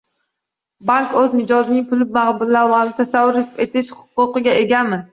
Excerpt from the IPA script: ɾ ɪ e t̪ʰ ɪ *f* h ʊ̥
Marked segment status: incorrect: ʃ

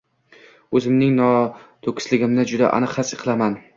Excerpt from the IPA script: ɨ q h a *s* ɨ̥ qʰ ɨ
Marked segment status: correct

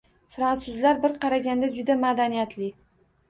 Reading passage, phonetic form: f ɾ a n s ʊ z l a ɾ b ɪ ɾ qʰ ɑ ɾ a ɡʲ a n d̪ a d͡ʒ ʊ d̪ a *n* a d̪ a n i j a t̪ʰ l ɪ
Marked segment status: incorrect: m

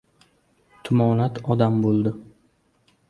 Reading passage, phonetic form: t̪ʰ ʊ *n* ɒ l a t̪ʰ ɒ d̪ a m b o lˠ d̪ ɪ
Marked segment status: incorrect: m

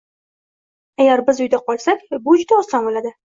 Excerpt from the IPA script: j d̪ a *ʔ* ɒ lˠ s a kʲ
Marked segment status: incorrect: q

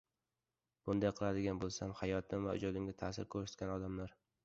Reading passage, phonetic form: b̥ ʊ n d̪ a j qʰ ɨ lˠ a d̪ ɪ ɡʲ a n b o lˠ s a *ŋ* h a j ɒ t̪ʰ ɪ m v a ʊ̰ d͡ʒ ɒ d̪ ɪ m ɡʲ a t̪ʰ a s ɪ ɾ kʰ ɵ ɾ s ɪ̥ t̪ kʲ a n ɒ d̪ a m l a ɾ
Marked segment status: incorrect: m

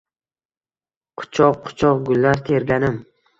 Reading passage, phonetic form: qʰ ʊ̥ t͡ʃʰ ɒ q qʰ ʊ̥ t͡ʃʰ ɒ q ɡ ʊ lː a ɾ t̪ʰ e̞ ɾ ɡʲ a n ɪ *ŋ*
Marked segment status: incorrect: m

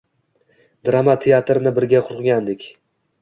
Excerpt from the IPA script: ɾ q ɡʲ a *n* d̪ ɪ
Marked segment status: correct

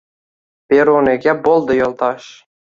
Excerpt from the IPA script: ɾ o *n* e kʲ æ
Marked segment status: correct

